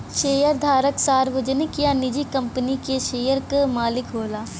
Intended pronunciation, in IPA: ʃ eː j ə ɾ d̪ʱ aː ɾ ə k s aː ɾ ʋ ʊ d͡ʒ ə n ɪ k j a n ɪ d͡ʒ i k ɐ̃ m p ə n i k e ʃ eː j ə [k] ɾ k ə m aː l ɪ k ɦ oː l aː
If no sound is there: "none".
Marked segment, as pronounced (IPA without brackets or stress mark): none